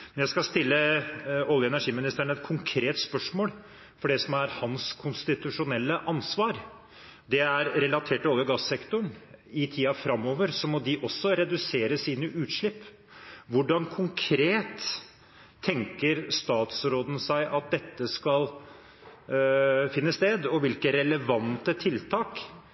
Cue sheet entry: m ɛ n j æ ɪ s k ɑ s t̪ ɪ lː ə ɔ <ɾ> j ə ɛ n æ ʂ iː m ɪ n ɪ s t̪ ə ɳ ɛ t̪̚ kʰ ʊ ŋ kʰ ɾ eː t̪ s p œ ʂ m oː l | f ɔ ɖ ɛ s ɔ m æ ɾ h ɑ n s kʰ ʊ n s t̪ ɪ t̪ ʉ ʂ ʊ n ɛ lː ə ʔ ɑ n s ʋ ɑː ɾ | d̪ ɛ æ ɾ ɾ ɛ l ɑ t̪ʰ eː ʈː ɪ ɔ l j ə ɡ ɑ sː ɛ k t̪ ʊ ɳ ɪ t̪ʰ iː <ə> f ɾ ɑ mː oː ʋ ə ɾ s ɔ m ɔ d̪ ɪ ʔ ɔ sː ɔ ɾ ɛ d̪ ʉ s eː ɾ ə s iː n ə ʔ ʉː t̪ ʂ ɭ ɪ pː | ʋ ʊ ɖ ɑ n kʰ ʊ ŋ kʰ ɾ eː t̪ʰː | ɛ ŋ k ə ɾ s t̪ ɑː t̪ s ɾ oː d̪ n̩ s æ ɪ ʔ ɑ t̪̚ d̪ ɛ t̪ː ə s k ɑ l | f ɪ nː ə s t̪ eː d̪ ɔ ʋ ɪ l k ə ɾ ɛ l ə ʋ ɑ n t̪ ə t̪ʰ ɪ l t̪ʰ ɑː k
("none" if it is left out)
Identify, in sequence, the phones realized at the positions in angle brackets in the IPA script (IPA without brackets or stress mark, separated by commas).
l, ɑ